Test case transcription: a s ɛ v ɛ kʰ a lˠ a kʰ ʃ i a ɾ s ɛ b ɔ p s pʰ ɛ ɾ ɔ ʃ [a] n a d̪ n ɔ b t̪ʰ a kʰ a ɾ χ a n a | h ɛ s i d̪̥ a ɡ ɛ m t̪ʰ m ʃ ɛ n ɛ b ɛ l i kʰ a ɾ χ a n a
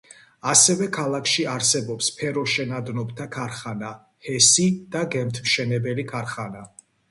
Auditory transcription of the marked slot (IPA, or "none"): ɛ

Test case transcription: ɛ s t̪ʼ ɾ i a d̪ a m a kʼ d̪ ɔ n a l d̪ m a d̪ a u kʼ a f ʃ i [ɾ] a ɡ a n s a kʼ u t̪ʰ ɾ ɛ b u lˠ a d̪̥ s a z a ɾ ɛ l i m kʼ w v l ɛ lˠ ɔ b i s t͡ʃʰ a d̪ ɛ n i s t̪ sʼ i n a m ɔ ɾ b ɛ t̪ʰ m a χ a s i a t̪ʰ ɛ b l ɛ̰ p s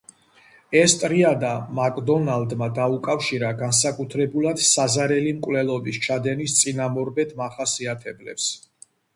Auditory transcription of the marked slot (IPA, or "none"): ɾ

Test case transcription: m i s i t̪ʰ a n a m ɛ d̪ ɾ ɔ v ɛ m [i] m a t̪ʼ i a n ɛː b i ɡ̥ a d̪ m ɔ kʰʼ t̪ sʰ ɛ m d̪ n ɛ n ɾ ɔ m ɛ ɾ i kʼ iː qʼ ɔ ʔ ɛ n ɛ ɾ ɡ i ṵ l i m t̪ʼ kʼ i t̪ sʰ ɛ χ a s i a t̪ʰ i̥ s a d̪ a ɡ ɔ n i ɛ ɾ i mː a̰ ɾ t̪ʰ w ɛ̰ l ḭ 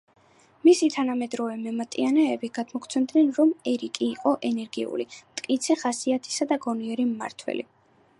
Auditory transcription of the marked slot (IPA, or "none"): ɛ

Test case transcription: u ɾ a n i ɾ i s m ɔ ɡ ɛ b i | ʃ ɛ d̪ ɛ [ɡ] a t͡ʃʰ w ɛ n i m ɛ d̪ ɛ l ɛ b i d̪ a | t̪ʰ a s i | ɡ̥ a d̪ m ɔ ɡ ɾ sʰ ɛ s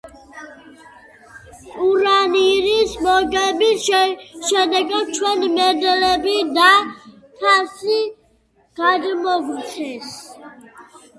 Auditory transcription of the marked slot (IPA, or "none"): ɡ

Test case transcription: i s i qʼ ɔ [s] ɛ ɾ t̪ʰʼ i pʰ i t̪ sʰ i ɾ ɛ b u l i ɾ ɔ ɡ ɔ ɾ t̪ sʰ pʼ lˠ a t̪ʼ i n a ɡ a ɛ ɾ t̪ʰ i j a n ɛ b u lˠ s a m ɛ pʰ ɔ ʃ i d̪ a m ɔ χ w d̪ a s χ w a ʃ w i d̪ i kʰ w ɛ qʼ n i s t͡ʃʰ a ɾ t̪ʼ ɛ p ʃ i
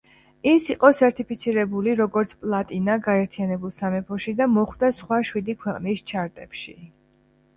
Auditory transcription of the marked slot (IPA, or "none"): s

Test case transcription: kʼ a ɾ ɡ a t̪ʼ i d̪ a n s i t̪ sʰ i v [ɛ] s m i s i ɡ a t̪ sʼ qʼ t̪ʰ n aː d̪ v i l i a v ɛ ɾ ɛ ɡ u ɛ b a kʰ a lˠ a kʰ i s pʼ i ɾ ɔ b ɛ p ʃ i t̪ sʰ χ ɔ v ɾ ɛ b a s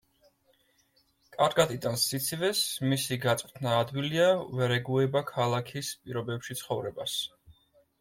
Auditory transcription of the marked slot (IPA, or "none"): ɛ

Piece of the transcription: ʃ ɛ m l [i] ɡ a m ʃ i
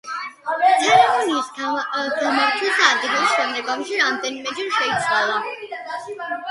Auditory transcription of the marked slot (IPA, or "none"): ɛ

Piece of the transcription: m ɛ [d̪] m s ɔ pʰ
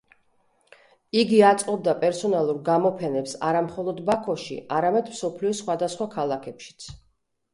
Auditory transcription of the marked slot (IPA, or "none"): d̪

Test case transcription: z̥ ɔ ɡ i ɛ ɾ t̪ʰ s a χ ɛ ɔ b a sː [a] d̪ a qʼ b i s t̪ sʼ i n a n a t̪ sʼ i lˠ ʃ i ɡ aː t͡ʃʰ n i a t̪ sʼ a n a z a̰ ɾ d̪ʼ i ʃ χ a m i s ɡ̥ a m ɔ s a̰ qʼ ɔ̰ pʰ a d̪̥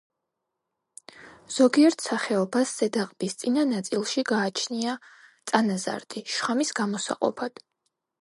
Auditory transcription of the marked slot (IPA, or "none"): ɛ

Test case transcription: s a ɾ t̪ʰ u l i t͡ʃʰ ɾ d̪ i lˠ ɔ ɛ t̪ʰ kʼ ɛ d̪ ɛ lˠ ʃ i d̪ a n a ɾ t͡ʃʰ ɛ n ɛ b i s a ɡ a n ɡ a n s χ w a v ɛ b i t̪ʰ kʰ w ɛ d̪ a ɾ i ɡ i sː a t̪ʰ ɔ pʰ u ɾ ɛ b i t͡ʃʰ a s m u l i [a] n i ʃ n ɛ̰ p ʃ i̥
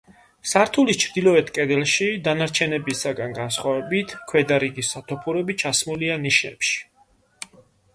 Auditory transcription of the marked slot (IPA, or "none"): a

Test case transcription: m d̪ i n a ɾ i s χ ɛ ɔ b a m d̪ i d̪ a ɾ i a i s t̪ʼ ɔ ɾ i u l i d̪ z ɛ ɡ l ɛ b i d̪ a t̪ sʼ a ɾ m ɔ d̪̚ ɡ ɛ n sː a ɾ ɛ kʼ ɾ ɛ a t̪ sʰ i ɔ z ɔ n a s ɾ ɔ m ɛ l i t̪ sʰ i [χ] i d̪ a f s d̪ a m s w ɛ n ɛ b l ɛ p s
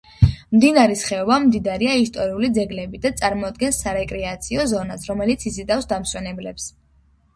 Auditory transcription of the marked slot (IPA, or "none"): s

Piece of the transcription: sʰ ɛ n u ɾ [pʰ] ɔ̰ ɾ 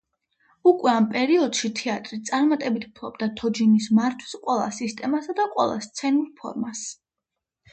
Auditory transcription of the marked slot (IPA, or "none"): pʰ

